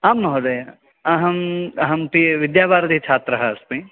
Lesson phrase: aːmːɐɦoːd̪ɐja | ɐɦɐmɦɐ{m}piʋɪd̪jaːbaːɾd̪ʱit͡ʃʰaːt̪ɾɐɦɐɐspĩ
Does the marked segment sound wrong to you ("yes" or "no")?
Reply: no